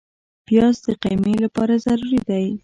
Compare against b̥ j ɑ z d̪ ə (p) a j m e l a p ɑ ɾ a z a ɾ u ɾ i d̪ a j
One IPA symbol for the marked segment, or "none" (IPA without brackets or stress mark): q